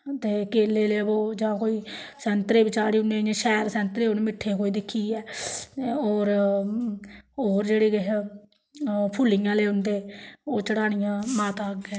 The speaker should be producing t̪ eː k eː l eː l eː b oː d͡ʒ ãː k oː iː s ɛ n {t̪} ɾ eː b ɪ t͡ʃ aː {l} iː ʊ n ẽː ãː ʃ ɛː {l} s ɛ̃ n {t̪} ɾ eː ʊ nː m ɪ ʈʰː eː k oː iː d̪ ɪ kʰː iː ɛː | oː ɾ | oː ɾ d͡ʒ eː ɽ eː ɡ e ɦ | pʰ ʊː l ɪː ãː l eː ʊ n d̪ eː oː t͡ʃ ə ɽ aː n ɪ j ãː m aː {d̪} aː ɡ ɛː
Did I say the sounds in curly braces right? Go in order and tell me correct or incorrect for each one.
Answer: correct, incorrect: ɾ, incorrect: ɾ, correct, incorrect: t̪

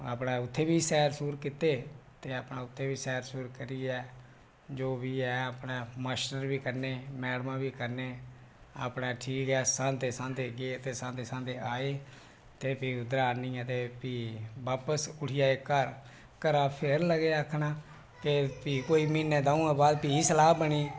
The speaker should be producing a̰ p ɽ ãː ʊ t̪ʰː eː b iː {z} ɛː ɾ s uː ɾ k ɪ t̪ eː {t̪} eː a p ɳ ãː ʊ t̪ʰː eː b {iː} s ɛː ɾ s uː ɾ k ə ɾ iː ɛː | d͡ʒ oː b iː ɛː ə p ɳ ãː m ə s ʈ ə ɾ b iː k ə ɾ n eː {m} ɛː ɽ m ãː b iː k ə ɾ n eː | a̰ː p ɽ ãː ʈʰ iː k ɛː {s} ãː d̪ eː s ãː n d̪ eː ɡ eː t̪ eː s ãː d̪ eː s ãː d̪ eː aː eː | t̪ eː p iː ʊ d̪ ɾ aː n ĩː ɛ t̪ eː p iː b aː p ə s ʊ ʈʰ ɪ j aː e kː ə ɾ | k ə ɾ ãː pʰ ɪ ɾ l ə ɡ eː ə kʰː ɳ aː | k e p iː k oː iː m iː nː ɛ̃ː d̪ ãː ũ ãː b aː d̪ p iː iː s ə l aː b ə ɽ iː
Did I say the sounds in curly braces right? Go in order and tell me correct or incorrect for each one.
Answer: incorrect: s, correct, correct, correct, correct

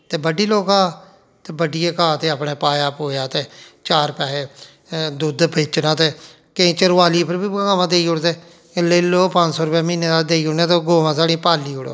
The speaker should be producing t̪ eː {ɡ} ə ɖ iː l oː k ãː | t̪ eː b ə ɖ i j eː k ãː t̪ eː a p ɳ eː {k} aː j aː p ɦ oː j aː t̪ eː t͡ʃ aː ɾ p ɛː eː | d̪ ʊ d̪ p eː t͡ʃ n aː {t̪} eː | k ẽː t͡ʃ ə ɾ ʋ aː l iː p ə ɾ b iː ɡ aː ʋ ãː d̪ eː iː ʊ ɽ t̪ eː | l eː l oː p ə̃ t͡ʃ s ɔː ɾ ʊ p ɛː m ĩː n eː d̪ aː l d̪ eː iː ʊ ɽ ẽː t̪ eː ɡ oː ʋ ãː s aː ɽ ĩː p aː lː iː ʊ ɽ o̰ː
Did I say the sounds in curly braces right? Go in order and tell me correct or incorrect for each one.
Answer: incorrect: b, incorrect: p, correct

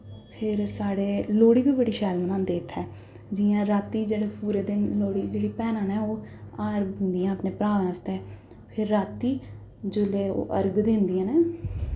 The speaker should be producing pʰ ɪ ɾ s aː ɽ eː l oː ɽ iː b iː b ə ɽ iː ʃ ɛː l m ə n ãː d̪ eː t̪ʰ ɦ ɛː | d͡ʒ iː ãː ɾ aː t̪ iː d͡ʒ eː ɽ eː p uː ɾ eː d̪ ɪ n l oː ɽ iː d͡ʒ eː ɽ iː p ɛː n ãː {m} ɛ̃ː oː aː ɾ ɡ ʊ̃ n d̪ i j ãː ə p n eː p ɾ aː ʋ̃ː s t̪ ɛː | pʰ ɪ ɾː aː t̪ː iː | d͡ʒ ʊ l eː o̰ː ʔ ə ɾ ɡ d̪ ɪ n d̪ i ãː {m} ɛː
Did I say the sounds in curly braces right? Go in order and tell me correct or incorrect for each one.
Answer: incorrect: n, incorrect: n

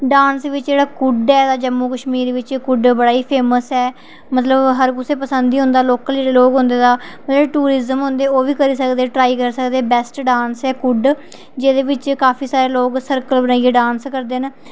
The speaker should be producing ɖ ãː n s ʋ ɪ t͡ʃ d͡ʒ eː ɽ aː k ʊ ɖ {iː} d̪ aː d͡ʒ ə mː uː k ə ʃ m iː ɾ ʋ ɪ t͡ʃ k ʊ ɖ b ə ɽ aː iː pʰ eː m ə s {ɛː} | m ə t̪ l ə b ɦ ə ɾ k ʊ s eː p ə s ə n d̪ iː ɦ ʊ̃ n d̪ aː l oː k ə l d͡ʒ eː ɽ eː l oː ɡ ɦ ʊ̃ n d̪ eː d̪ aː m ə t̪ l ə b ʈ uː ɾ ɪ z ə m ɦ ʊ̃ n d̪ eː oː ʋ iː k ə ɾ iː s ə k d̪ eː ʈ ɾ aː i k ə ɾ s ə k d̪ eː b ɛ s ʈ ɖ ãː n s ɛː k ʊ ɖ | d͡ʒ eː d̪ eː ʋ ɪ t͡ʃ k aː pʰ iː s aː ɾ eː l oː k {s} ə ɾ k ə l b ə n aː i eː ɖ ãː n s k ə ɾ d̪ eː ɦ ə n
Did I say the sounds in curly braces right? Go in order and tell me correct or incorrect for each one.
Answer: incorrect: ɛː, correct, correct

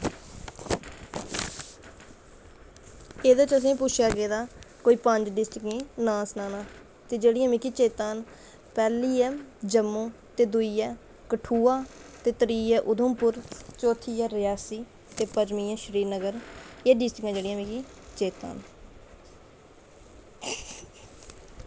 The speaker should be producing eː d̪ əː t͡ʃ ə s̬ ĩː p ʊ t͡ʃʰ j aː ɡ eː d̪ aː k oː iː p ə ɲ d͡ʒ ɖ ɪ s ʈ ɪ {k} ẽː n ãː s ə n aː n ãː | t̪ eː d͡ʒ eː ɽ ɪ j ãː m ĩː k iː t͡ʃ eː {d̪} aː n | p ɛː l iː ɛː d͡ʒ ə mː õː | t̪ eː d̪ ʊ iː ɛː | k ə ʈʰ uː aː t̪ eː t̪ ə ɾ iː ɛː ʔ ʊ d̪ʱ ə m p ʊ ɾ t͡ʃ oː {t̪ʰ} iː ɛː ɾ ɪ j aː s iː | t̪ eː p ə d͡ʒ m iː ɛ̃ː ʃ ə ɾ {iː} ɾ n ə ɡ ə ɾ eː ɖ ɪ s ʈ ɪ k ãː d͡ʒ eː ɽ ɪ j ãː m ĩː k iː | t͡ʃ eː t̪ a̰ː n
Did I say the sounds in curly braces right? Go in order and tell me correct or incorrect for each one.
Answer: correct, incorrect: t̪, correct, correct

